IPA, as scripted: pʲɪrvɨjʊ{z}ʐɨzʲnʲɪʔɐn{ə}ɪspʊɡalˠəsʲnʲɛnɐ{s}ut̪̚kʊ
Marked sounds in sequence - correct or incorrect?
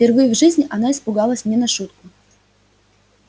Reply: incorrect: v, incorrect: a, incorrect: ʂ

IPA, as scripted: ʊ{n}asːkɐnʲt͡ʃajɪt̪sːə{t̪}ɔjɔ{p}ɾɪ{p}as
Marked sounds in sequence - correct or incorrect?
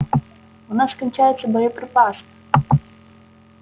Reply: correct, incorrect: d̪, correct, correct

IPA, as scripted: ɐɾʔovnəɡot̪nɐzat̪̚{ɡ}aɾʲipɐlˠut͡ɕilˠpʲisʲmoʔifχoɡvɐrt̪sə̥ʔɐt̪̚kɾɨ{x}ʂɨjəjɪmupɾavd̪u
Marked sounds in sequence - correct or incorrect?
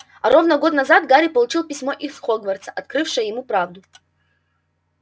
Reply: correct, incorrect: f

